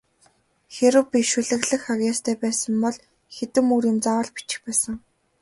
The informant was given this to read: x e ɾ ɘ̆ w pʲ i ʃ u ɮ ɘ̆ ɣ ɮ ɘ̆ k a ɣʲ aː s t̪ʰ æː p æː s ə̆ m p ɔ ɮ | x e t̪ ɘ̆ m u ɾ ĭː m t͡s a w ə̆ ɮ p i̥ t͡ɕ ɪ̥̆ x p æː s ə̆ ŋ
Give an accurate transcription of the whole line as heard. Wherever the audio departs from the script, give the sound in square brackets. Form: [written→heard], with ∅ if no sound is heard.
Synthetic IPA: x e ɾ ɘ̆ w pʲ i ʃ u ɮ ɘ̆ ɣ ɮ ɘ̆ [k→x] a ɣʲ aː s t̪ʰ æː p æː s ə̆ m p ɔ ɮ | x e t̪ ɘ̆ m u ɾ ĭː m t͡s a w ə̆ ɮ p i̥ t͡ɕ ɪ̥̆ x p æː s ə̆ ŋ